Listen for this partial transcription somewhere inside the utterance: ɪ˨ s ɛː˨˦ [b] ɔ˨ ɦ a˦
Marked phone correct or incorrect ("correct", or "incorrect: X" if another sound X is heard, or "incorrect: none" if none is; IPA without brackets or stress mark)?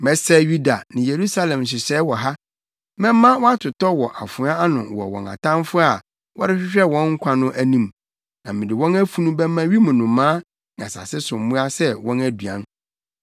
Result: incorrect: w